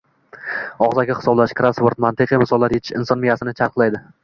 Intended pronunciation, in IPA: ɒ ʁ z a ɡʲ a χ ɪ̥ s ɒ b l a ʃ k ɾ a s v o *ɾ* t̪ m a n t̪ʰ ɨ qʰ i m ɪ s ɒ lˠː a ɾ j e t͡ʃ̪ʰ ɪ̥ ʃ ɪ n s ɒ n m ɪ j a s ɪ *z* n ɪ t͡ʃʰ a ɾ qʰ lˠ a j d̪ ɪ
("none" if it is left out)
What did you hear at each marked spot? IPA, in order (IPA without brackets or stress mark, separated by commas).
ɾ, none